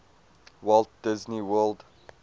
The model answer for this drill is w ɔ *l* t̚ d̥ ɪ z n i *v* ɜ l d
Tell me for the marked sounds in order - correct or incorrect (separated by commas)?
correct, incorrect